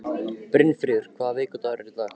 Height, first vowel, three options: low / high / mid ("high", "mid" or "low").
high